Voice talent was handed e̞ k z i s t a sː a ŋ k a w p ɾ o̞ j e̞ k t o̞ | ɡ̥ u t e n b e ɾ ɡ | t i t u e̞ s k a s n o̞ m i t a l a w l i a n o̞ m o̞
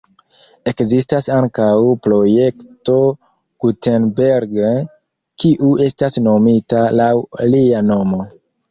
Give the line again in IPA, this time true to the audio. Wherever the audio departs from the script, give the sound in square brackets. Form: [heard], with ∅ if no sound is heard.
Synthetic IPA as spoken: e̞ k z i s t a [s] a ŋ k a w p ɾ o̞ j e̞ k t o̞ | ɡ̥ u t e n b e ɾ ɡ | [k] i [ʔ] u e̞ s [t] a s n o̞ m i t a l a w l i a n o̞ m o̞